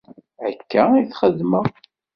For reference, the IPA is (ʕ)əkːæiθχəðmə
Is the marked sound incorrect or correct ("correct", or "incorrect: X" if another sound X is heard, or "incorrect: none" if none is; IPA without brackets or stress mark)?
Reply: correct